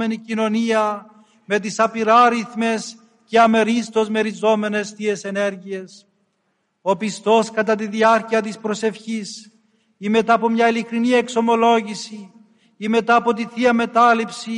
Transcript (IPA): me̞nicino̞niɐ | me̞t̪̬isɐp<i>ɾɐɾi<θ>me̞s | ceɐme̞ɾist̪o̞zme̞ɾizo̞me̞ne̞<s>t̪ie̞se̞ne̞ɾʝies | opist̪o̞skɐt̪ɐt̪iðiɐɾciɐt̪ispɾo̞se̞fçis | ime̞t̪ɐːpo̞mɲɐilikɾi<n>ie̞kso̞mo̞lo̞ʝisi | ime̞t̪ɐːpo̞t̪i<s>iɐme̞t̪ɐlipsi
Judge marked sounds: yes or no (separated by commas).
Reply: yes, yes, yes, yes, no